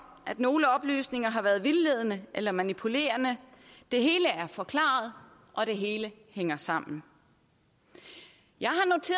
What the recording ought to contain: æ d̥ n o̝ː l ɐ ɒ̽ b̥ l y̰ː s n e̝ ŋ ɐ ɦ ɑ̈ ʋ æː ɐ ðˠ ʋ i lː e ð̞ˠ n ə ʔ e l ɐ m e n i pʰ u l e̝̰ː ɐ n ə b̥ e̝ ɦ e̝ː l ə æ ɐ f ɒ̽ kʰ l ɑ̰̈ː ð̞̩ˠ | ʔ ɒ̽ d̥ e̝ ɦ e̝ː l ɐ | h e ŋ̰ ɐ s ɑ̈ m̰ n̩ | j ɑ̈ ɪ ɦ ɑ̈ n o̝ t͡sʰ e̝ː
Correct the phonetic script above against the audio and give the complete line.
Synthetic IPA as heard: æ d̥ n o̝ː l ə ɒ̽ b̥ l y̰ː s n e̝ ŋ ɐ ɦ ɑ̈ ʋ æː ɐ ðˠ ʋ i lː e ð̞ˠ n ə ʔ e l ɐ m æ n i pʰ u l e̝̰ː ɐ n ə d̥ e̝ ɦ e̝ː l ə æ ɐ f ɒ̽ kʰ l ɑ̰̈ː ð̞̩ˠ | ʔ ɒ̽ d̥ e̝ ɦ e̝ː l ə | h e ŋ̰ ɐ s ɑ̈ m̰ n̩ | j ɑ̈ ɪ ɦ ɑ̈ n o̝ t͡sʰ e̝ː